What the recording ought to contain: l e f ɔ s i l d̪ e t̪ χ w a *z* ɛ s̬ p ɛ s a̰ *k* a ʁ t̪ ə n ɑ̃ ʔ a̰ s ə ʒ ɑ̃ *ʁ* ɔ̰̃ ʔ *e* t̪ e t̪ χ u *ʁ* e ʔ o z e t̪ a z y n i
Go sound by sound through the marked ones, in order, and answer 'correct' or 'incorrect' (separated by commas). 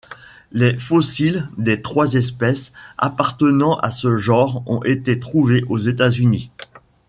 correct, incorrect, correct, correct, incorrect